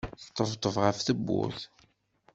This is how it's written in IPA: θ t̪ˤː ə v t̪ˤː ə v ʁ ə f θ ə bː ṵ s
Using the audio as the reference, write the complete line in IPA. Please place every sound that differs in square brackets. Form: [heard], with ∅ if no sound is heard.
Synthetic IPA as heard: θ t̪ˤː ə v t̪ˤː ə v ʁ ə f θ ə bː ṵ [θ]

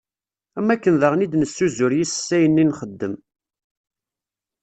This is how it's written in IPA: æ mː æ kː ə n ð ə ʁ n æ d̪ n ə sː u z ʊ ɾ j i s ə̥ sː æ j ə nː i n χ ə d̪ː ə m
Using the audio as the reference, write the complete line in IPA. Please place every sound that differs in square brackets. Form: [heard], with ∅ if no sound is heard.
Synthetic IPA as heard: æ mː æ kː ə n ð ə ʁ n [i] d̪ n ə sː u z ʊ ɾ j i s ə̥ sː æ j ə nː i n χ ə d̪ː ə m

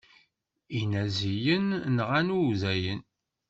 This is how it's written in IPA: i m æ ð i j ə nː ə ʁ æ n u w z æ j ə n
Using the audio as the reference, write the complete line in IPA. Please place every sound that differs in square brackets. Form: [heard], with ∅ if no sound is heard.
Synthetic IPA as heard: i [n] æ [z] i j ə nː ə ʁ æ n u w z æ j ə n

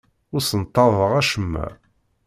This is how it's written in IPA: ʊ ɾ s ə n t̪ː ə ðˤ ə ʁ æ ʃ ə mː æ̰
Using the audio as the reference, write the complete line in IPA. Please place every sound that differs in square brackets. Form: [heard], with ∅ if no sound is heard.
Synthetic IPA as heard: ʊ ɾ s ə n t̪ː [ɑ] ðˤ ə ʁ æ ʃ ə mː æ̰

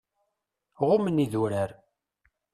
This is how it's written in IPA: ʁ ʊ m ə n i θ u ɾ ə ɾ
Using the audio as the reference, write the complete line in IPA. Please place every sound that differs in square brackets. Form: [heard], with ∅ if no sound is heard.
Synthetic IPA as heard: ʁ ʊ m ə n i [ð] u ɾ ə ɾ

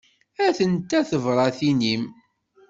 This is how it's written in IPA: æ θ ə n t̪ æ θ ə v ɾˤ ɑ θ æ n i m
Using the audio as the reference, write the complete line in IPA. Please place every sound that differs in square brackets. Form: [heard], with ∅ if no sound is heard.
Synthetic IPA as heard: æ θ ə n t̪ æ θ ə v ɾˤ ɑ θ [i] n i m

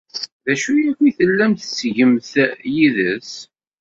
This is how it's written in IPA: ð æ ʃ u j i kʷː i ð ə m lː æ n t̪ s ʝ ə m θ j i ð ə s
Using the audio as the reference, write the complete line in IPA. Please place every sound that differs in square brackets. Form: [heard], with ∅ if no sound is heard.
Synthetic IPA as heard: ð æ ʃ u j [æ] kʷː i [θ] ə [∅] lː æ [m] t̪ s ʝ ə m θ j i ð ə s

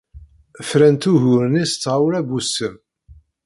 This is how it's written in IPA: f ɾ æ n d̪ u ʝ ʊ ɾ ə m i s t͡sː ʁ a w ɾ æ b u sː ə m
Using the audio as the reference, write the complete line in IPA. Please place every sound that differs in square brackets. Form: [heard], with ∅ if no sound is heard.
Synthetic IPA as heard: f ɾ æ n [t̪] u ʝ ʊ ɾ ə [n] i s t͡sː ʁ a w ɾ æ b u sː ə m

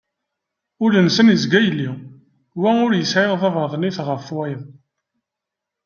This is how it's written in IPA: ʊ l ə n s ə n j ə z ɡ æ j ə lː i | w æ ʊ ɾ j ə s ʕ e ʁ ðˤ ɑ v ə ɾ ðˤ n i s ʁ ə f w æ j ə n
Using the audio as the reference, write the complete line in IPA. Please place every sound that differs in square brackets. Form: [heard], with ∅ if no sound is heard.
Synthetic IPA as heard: ʊ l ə n s ə n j ə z ɡ æ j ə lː i | w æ ʊ ɾ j ə s ʕ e ʁ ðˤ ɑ v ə ɾ ðˤ n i [θ] ʁ ə f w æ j ə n

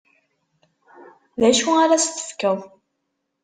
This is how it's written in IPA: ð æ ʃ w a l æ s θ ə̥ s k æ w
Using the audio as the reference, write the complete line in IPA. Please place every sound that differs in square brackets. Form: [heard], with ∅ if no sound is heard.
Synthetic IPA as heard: ð æ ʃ [u] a [ɾ] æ s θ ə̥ [f] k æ w

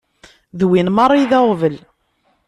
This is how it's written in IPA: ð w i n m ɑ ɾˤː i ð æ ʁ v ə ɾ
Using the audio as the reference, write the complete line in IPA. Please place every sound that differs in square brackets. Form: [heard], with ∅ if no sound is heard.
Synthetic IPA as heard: ð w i n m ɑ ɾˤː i ð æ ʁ v ə [l]

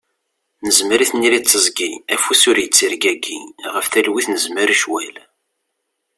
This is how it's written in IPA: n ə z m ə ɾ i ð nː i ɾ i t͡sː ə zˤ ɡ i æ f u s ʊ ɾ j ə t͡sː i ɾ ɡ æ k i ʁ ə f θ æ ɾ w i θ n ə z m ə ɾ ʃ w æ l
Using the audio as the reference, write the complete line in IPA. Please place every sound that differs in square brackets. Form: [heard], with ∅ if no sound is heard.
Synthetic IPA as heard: n ə z m ə ɾ i [θ] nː i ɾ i t͡sː ə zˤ ɡ i æ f u s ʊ ɾ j ə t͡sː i ɾ ɡ æ [ɡ] i ʁ ə f θ æ [l] w i θ n ə z m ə ɾ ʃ w æ l

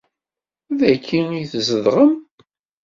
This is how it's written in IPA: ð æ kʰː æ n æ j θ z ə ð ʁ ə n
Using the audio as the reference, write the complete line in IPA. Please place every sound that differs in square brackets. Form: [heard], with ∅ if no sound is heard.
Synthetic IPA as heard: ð æ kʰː [i] n [i] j θ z ə ð ʁ ə [m]

